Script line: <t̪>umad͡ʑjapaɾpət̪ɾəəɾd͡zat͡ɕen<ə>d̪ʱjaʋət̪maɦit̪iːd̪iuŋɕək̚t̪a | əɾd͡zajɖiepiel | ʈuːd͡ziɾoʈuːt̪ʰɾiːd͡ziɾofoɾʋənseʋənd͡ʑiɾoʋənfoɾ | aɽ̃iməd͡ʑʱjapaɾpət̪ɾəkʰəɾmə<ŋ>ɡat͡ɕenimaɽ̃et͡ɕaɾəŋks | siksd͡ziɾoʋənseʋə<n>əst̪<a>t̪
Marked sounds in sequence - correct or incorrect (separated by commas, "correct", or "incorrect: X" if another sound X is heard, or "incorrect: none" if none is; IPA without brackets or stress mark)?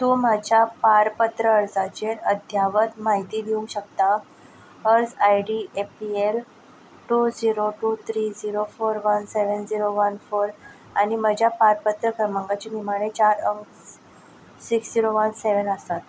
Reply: correct, correct, correct, correct, correct